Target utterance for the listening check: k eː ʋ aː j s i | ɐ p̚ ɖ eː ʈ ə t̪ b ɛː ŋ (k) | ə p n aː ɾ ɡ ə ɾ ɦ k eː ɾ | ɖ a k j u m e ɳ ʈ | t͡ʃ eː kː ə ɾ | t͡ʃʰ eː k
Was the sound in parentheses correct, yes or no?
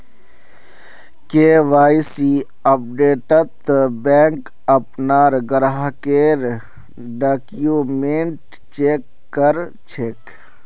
yes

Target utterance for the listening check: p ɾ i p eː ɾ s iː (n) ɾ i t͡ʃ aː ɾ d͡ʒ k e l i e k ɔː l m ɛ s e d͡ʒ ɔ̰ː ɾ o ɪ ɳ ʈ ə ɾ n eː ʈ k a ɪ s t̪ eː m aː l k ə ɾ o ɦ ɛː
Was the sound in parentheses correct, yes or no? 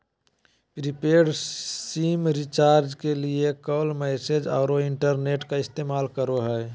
no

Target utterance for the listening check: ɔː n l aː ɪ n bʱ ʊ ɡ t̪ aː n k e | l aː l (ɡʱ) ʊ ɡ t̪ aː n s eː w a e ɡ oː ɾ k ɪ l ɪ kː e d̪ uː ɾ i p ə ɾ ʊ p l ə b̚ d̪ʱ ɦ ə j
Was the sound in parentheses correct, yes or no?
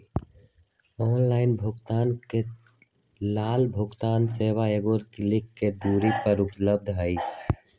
no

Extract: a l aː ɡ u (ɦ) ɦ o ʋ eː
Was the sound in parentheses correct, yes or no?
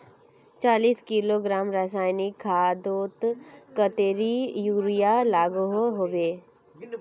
yes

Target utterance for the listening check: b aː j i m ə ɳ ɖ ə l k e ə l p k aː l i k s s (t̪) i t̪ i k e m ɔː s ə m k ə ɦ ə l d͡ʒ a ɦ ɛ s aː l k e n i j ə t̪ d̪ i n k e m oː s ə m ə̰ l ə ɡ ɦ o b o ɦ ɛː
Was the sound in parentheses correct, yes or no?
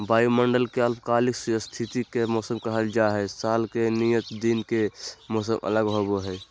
no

